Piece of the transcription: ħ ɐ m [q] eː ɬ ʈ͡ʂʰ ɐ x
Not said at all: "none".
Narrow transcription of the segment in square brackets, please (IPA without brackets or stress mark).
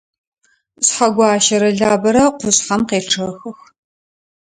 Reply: q